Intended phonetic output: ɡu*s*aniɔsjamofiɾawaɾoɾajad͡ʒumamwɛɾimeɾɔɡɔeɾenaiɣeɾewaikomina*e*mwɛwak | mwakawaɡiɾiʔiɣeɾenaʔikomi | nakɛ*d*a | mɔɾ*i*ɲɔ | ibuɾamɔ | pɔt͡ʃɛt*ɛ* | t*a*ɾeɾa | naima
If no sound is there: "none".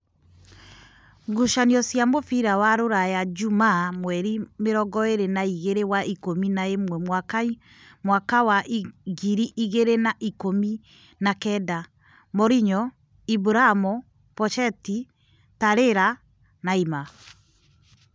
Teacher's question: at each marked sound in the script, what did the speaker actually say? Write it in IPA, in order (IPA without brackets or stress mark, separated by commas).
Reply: ʃ, e, d, i, i, a